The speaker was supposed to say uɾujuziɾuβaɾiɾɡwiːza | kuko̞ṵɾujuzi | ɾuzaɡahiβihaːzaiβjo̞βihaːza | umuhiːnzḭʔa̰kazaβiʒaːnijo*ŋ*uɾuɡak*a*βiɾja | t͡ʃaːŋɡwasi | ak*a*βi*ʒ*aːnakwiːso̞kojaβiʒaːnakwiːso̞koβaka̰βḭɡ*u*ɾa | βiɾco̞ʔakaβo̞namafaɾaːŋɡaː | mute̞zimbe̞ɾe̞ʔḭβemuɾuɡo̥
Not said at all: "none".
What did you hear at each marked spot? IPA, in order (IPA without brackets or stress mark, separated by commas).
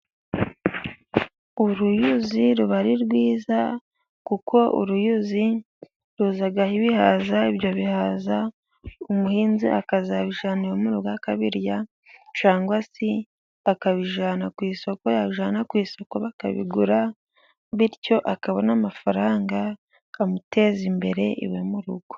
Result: m, a, a, ʒ, u